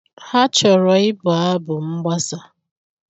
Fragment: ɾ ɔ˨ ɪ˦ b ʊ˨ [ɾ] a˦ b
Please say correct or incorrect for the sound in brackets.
incorrect